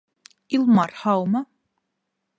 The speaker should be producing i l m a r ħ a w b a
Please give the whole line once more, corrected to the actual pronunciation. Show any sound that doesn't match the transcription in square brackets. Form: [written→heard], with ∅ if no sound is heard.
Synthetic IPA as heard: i l m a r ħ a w [b→m] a